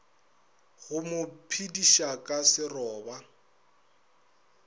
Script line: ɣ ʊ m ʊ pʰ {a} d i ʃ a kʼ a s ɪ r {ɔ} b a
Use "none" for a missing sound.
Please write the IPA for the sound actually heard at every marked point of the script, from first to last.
i, ɔː

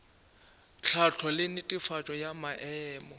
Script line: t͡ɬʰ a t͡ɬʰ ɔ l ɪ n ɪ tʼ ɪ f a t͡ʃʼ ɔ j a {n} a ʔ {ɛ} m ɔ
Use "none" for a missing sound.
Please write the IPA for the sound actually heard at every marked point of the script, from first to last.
m, ɛː

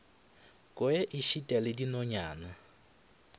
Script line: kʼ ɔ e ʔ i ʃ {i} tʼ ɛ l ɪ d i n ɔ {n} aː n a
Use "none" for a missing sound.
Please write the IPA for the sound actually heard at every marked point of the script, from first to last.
i, ɲ

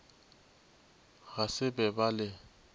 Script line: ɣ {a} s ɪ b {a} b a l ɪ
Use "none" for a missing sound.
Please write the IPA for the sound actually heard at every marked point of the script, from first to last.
a, ɛ

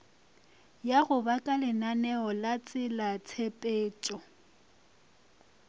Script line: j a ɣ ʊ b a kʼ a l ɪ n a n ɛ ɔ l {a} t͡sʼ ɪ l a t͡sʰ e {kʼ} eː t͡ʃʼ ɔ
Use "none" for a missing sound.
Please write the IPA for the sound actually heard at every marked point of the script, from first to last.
a, pʼ

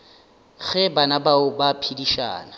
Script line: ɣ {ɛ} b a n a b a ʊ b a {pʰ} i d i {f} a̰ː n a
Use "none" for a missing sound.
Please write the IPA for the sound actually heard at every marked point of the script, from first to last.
ɛ, pʰ, ʃ

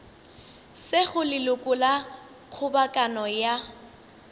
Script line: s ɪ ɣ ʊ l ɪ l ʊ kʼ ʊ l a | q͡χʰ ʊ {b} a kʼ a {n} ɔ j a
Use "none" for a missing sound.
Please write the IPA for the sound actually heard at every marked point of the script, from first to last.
b, n

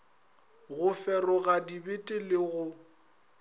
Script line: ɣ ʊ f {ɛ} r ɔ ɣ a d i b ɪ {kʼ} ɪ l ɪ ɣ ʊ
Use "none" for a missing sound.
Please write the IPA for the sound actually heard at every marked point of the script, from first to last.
ɛ, tʼ

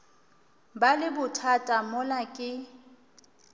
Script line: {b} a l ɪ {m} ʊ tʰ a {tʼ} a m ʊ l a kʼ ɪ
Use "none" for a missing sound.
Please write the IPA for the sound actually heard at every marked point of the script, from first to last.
b, b, tʼ

